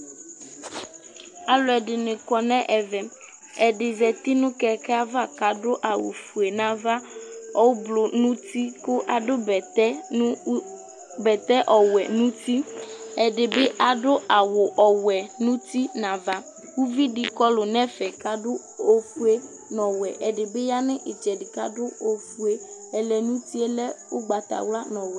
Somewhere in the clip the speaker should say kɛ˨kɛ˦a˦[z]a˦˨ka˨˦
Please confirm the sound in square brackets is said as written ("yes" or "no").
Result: no